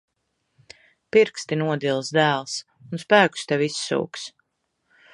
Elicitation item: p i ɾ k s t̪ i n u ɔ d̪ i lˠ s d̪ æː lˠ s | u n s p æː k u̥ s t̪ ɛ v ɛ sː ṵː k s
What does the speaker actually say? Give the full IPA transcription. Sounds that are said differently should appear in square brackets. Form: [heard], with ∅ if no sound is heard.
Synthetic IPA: p i ɾ k s t̪ i n u ɔ d̪ i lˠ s d̪ æː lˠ s | u n s p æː k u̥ s t̪ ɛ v [i] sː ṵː k s